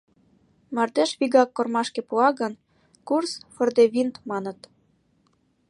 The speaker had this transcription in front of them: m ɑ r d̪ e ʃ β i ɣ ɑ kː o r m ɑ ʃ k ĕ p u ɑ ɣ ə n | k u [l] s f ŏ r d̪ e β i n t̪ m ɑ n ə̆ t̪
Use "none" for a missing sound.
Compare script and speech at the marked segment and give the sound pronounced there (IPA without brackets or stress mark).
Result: r